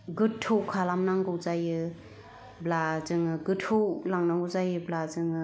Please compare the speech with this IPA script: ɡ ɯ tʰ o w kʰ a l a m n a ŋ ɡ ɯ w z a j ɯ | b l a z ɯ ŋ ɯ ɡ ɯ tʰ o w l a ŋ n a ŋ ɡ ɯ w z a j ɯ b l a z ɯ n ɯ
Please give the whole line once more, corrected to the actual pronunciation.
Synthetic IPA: ɡ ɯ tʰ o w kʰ a l a m n a ŋ ɡ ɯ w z a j ɯ | b l a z ɯ ŋ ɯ ɡ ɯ tʰ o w l a ŋ n a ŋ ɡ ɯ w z a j ɯ b l a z ɯ ŋ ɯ